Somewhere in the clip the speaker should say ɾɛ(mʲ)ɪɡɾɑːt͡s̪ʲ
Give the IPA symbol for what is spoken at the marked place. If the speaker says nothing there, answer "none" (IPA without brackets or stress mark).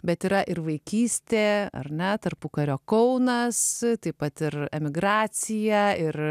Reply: mʲ